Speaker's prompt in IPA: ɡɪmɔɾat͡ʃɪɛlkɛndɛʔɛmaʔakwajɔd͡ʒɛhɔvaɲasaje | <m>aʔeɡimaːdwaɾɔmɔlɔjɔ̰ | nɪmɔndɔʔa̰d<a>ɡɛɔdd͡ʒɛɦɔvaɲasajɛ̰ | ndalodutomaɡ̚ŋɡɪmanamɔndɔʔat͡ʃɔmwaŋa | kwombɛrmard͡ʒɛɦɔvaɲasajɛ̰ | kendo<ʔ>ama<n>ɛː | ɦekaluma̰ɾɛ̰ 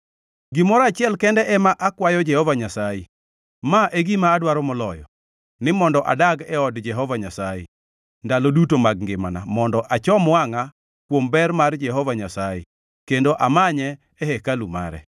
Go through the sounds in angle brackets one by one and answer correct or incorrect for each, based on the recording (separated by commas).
correct, correct, correct, incorrect